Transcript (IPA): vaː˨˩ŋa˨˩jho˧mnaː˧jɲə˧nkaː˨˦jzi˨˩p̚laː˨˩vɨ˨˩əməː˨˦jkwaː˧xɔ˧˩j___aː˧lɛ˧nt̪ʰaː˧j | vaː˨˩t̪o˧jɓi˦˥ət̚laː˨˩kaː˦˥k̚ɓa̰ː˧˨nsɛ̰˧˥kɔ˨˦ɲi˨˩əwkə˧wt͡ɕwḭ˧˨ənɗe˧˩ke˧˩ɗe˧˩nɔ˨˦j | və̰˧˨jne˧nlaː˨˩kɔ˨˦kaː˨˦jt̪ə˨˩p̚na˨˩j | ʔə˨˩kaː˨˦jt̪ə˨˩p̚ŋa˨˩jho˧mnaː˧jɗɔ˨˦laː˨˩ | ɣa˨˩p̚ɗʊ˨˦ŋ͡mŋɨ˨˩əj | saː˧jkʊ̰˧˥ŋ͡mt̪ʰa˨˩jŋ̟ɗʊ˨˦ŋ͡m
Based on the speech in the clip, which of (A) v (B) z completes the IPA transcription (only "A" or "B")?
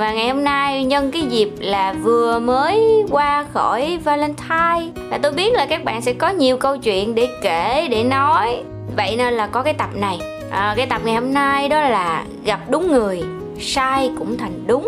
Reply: A